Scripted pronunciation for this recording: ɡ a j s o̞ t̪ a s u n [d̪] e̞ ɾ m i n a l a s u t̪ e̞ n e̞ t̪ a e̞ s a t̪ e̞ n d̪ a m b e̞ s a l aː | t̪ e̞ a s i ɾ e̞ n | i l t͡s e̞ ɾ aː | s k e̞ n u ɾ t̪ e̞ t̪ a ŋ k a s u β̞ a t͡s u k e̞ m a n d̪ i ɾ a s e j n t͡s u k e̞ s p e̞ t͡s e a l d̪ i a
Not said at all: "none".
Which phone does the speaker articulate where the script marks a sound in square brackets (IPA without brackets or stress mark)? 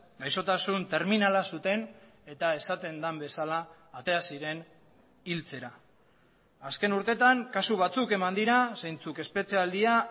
t̪